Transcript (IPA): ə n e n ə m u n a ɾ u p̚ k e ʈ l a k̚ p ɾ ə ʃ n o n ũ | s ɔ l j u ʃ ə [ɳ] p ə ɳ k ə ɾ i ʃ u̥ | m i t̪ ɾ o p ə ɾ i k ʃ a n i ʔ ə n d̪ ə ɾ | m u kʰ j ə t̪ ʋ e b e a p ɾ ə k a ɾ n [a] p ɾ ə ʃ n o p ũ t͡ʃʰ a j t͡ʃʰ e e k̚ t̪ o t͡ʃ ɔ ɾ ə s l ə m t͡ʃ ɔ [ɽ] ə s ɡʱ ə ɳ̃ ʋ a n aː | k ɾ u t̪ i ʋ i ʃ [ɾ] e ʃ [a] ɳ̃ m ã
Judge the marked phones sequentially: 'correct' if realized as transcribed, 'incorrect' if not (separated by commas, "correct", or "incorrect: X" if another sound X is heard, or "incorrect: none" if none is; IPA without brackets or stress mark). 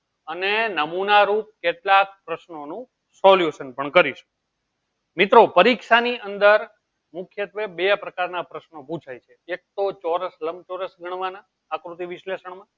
incorrect: n, correct, incorrect: ɾ, incorrect: l, incorrect: ə